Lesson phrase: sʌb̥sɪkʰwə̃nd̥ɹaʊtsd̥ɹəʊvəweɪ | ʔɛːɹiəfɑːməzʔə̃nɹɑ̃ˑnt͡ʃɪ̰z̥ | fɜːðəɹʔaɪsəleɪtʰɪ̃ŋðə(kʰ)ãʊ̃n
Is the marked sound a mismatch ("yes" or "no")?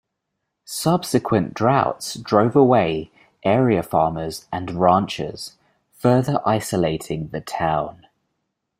yes